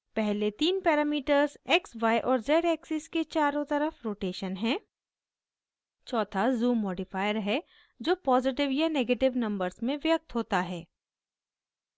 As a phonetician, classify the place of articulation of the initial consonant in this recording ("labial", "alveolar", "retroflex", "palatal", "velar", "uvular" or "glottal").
labial